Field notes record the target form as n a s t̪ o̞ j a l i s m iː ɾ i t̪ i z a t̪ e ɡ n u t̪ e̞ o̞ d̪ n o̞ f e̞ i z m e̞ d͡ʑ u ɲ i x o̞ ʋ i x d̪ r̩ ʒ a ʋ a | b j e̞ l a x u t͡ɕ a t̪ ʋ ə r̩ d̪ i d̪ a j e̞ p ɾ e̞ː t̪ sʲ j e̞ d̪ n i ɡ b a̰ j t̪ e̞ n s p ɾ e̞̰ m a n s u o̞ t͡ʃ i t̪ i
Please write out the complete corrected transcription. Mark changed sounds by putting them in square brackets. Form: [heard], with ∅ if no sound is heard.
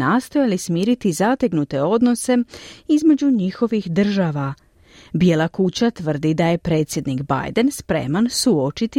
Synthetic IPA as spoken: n a s t̪ o̞ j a l i s m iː ɾ i t̪ i z a t̪ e ɡ n u t̪ e̞ o̞ d̪ n o̞ [s] e̞ i z m e̞ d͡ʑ u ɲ i x o̞ ʋ i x d̪ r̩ ʒ a ʋ a | b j e̞ l a [k] u t͡ɕ a t̪ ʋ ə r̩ d̪ i d̪ a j e̞ p ɾ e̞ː t̪ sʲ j e̞ d̪ n i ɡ b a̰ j [d̪] e̞ n s p ɾ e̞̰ m a n s u o̞ t͡ʃ i t̪ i